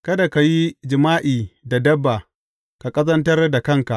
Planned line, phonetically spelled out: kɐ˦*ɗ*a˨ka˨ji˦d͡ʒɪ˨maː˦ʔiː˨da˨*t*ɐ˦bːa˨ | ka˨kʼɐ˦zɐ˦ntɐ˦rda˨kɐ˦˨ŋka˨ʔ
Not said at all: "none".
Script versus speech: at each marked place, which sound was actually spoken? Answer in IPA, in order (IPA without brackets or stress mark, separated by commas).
d, d